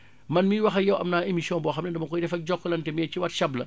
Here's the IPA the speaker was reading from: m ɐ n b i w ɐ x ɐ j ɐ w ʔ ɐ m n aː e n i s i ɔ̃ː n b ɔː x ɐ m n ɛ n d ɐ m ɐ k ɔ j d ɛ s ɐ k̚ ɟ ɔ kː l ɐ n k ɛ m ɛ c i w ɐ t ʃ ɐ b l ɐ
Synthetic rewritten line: m ɐ n m i w ɐ x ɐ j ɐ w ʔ ɐ m n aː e m i s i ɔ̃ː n b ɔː x ɐ m n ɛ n d ɐ m ɐ k ɔ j d ɛ f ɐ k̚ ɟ ɔ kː l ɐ n t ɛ m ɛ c i w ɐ t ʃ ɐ b l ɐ

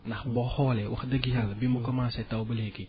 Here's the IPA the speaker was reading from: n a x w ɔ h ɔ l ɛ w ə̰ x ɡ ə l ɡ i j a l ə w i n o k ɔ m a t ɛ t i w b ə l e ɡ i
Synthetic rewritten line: n a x b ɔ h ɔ l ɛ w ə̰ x d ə ɡ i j a l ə b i m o k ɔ m a s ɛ t a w b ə l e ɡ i

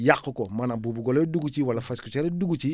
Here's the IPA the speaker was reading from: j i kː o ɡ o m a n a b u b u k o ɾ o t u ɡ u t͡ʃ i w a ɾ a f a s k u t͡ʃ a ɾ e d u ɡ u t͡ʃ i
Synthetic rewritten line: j a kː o k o m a n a b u b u ɡ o l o d u ɡ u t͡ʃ i w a l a f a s k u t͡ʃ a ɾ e d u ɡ u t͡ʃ i

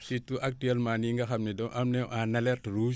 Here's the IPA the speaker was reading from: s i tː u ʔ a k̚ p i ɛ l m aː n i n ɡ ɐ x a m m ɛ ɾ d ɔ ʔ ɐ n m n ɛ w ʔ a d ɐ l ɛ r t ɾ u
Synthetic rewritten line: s i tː u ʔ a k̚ t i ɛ l m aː n i ŋ ɡ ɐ x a m n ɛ d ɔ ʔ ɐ m n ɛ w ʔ a n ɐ l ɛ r t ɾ u

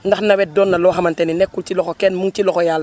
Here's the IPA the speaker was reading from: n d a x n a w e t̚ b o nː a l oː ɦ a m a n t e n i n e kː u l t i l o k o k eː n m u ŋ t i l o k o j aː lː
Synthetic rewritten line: n d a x n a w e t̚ d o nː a l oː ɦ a m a n t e n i n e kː u l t i l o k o k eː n m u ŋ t i l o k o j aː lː

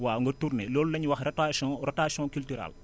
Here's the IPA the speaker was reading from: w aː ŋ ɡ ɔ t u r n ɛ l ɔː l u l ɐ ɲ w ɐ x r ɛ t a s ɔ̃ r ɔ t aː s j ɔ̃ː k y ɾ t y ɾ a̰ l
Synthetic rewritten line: w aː ŋ ɡ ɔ t u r n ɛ l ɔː l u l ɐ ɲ w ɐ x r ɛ t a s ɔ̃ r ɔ t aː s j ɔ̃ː k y l t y ɾ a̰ l

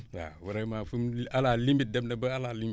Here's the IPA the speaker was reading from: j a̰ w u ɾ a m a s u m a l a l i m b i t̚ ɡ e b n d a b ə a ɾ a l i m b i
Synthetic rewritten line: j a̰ w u ɾ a m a f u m a l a l i m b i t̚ d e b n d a b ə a l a l i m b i

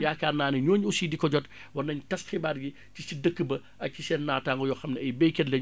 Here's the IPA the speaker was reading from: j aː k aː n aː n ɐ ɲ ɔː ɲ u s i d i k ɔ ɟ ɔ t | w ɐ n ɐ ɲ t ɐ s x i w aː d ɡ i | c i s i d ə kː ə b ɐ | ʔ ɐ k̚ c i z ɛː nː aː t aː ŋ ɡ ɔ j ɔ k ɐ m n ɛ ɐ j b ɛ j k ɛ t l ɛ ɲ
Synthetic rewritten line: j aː k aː n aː n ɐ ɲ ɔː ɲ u s i d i k ɔ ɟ ɔ t | w ɐ n ɐ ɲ t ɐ s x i b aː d ɡ i | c i s i d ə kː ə b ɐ | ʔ ɐ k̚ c i s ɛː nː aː t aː ŋ ɡ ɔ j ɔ x ɐ m n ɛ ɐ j b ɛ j k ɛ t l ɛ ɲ

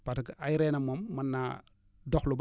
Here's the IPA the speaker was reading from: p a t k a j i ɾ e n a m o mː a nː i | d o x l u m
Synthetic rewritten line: p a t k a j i ɾ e n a m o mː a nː a | d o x l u b

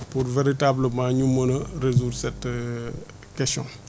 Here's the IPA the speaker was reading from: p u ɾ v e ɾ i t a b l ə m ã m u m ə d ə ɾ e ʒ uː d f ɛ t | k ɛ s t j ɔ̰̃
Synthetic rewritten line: p u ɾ v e ɾ i t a b l ə m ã ɲ u m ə n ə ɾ e z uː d s ɛ t | k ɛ s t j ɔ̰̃

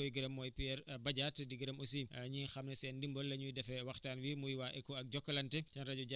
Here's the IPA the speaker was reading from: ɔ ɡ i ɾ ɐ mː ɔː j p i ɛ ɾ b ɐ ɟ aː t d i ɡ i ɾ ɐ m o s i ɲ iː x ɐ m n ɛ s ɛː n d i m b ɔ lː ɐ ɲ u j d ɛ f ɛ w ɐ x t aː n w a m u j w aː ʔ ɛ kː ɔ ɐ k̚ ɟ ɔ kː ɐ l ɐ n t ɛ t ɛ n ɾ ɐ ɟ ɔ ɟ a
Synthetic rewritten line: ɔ ɡ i ɾ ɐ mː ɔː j p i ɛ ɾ b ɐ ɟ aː t d i ɡ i ɾ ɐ m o s i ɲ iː x ɐ m n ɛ s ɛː n d i m b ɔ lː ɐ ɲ u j d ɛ f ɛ w ɐ x t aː n w i m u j w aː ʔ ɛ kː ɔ ɐ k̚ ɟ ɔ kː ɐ l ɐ n t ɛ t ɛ n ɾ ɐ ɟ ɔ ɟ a

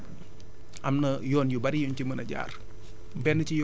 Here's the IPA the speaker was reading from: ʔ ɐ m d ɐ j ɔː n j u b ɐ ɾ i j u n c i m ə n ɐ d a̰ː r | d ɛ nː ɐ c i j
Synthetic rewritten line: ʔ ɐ m n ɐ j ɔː n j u b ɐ ɾ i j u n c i m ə n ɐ ɟ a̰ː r | b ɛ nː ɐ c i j

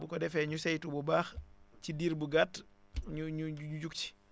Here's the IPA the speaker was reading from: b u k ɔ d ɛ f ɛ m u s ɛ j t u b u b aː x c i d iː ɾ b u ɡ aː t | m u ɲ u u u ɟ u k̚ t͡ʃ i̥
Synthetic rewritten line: b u k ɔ d ɛ f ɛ ɲ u s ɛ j t u b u b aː x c i d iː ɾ b u ɡ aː t | ɲ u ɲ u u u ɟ u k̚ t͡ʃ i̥

